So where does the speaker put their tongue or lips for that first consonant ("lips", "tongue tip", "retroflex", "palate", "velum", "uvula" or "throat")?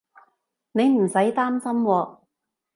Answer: tongue tip